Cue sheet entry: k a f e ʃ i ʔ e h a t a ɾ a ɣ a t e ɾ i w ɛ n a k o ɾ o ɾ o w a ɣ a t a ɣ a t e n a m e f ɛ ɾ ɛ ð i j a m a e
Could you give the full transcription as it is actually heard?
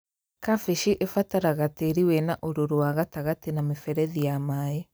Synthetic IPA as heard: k a f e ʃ i ʔ e f a t a ɾ a ɣ a t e ɾ i w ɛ n a ʔ o ɾ o ɾ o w a ɣ a t a ɣ a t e n a m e f ɛ ɾ ɛ ð i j a m a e